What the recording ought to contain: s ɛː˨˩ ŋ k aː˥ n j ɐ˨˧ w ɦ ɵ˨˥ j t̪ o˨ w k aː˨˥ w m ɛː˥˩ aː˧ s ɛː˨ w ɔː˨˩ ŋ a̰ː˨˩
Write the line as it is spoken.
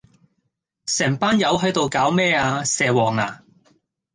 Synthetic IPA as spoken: s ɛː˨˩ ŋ p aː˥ n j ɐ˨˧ w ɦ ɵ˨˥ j t̪ o˨ w k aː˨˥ w m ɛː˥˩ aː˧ s ɛː˨ w ɔː˨˩ ŋ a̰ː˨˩